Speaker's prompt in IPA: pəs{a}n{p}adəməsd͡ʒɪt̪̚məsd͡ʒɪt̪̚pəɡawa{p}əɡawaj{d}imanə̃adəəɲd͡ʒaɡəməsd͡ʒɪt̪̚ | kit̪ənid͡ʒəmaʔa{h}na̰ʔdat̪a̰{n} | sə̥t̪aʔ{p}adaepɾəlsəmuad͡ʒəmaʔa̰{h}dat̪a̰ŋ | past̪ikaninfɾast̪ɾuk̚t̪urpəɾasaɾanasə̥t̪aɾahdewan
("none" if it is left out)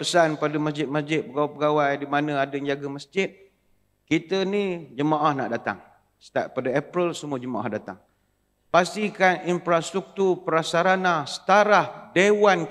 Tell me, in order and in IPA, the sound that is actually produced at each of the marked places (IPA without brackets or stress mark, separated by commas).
a, p, p, d, h, ŋ, p, h